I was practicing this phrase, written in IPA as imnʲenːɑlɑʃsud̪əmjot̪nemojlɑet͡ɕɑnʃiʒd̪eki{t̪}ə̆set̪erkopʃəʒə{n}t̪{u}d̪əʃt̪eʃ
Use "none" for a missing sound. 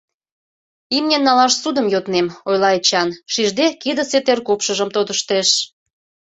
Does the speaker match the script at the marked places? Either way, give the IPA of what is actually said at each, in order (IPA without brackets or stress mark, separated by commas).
d̪, m, o